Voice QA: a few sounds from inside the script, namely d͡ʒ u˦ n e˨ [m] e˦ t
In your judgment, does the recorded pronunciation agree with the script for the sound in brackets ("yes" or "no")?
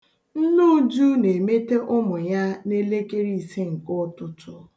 yes